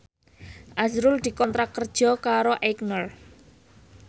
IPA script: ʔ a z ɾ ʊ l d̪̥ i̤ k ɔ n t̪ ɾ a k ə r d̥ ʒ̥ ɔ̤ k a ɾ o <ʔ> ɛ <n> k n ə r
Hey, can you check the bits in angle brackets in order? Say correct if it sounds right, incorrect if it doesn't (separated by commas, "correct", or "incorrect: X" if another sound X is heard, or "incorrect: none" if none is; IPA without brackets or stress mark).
correct, incorrect: none